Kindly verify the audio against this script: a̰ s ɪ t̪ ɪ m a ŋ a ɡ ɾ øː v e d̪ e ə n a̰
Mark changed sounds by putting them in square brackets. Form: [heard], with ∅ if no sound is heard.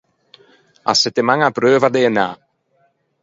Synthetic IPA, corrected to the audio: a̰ s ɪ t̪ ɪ m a ŋ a [b] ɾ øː v [a] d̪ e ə n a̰